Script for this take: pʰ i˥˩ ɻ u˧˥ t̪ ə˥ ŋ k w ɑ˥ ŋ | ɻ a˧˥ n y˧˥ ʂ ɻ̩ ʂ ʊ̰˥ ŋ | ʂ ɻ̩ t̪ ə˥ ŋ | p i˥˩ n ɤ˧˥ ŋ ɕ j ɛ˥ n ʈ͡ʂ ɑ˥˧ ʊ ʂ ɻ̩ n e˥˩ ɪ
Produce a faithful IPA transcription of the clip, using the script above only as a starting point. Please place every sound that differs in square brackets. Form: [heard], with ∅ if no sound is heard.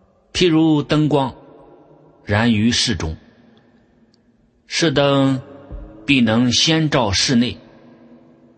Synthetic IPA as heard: pʰ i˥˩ ɻ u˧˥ t̪ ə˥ ŋ k w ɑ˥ ŋ | ɻ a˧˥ n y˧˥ ʂ ɻ̩ [ʈ͡ʂ] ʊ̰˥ ŋ | ʂ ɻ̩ t̪ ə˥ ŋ | p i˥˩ n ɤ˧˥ ŋ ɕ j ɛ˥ n ʈ͡ʂ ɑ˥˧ ʊ ʂ ɻ̩ n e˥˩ ɪ